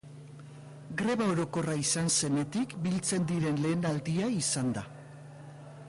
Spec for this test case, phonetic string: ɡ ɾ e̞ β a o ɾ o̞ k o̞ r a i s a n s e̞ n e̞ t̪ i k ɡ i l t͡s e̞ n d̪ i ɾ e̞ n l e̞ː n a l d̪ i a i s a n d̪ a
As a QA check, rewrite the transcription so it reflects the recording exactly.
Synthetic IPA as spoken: ɡ ɾ e̞ β a o ɾ o̞ k o̞ r a i s a n s e̞ n e̞ t̪ i k b i l t͡s e̞ n d̪ i ɾ e̞ n l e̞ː n a l d̪ i a i s a n d̪ a